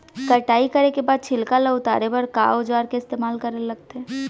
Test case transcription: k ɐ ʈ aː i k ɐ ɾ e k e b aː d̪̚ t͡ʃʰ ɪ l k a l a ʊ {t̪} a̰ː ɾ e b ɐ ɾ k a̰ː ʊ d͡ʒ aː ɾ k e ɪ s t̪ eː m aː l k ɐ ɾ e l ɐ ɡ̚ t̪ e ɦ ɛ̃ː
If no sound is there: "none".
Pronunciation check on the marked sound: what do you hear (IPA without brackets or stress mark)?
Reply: t̪